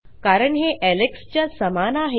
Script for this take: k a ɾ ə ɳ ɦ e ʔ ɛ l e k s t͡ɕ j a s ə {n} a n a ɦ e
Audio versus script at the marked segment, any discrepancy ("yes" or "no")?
yes